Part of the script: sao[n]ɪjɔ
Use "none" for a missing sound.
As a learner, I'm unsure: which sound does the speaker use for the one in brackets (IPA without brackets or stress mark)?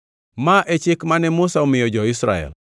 m